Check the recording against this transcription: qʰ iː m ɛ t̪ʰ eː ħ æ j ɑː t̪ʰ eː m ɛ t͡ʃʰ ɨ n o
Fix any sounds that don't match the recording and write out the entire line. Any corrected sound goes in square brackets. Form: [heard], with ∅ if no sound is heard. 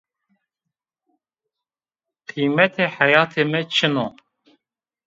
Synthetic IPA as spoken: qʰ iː m ɛ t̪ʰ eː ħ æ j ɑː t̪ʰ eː m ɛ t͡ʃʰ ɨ n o

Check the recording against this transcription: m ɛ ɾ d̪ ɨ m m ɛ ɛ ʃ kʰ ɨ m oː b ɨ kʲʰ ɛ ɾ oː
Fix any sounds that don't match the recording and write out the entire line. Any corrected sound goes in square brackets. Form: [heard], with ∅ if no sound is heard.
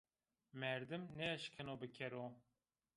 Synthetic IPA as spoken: m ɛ ɾ d̪ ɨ m [n] ɛ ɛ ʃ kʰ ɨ [n] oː b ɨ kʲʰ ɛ ɾ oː

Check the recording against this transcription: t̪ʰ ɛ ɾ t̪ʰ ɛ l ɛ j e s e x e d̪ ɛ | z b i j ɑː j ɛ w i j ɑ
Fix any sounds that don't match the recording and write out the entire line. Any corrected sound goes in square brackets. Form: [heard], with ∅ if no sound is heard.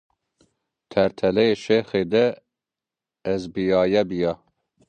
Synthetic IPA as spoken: t̪ʰ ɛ ɾ t̪ʰ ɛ l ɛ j e [ʃ] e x e d̪ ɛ | z b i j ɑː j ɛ [b] i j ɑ

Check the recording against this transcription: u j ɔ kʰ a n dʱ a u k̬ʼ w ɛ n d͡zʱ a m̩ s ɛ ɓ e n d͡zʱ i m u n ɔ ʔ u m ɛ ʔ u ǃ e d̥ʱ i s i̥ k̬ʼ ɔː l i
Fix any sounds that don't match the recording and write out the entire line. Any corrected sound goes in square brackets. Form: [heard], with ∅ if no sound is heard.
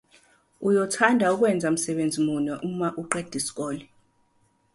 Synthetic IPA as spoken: u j ɔ [tʰ] a n dʱ a u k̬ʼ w ɛ n d͡zʱ a m̩ s ɛ ɓ e n d͡zʱ i m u n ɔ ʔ u m [a] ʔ u ǃ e d̥ʱ i s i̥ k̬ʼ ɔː l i

